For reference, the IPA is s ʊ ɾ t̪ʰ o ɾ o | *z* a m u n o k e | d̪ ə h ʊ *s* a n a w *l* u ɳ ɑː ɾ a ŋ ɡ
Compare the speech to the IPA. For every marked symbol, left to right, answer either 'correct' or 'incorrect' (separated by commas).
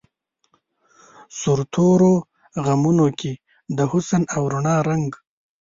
incorrect, correct, incorrect